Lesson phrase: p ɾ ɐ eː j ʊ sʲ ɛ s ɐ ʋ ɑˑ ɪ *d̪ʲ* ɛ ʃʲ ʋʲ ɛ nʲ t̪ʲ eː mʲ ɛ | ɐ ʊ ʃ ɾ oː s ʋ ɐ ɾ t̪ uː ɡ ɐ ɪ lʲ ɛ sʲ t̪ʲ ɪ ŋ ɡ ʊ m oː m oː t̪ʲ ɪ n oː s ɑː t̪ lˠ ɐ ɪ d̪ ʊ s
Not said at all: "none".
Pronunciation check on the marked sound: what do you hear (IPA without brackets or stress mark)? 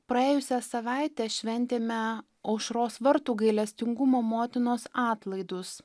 t̪ʲ